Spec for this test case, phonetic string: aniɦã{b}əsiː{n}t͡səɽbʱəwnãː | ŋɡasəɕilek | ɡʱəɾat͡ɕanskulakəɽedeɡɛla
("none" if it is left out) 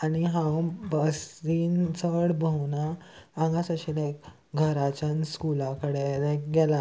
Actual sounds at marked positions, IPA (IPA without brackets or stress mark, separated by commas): b, n